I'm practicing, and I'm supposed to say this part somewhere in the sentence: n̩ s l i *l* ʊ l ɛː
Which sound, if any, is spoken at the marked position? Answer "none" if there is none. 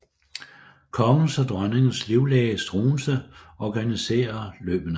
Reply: none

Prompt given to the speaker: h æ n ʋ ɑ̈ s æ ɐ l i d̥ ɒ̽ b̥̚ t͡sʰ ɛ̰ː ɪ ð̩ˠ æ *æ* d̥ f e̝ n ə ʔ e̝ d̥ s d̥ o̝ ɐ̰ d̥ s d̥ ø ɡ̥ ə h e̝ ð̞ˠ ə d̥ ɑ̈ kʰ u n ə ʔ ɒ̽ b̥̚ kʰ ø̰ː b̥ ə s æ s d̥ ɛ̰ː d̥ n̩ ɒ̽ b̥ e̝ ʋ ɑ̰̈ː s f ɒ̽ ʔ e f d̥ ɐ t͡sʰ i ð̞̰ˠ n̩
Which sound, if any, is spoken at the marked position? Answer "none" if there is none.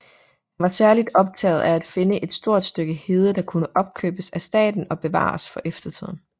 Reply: æ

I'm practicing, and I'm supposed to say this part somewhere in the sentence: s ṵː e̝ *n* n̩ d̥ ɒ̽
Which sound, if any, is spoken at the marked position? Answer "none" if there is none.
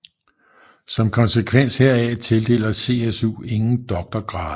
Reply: ŋ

